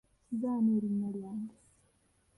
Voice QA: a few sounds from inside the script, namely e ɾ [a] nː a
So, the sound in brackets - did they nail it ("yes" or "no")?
no